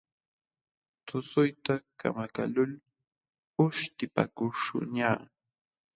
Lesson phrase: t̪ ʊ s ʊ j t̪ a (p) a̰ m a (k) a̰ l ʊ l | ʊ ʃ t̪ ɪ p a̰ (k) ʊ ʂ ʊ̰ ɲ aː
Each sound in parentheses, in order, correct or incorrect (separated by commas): incorrect, correct, correct